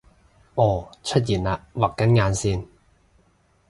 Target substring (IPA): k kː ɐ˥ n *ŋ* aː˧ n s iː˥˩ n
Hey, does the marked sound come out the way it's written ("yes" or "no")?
yes